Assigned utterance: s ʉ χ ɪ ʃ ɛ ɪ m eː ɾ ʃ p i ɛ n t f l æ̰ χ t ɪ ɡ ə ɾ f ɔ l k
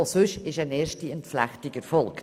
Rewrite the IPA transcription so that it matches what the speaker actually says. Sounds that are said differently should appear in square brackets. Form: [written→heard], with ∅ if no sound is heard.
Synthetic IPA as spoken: s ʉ [χ→ʃ] ɪ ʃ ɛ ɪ [m→n] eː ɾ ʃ [p→t] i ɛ n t f l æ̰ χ t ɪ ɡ ə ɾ f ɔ l k